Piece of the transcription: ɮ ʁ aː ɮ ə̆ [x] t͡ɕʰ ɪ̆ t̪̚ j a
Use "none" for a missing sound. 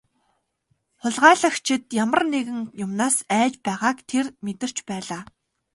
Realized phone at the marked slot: x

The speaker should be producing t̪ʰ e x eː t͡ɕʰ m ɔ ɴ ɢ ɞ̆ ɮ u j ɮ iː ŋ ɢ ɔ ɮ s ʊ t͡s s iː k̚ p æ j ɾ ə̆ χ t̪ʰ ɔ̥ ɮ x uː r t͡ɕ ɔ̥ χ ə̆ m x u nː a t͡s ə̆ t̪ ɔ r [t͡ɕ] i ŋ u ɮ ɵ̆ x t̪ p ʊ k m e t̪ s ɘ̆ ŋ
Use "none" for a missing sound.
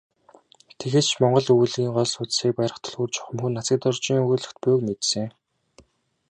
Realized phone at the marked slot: t͡ɕ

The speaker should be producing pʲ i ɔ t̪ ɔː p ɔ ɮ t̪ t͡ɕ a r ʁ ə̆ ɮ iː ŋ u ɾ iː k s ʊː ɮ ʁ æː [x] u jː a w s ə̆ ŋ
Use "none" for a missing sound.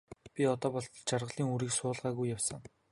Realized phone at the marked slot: ɣ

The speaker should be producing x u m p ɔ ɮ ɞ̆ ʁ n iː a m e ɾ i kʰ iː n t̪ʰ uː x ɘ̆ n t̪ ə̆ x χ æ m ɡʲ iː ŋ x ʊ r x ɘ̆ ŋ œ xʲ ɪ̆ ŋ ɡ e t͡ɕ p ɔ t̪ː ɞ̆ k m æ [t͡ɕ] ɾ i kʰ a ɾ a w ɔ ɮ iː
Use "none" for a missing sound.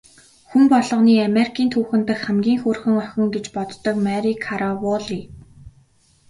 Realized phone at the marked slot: none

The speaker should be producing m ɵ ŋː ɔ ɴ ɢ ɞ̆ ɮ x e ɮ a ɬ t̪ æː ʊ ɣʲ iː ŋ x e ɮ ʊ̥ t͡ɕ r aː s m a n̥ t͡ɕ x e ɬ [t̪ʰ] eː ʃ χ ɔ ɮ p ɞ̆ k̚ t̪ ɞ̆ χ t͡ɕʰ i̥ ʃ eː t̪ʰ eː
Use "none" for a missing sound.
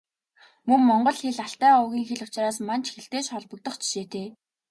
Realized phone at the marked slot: t̪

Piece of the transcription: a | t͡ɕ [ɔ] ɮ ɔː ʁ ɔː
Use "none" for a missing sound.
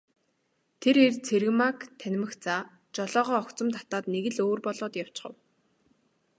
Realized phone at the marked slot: ɔ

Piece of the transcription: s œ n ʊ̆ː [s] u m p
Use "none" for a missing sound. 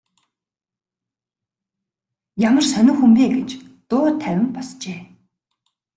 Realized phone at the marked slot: x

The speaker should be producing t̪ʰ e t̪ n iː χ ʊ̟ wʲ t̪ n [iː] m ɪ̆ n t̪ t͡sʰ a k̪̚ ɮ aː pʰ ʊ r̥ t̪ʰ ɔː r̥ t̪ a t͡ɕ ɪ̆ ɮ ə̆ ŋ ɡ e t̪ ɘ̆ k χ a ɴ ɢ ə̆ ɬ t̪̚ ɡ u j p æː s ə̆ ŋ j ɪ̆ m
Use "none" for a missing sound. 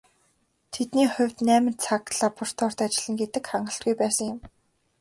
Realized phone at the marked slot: æː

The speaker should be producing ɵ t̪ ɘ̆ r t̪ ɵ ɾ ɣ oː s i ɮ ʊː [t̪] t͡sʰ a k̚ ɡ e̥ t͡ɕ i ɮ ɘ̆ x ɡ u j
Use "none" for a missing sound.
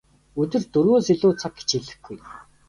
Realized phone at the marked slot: none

